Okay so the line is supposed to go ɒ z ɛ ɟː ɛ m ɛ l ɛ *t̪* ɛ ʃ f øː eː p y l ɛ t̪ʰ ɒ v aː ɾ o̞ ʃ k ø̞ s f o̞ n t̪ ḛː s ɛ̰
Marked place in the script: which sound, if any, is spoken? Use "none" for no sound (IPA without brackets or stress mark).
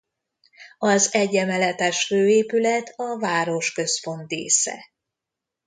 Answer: t̪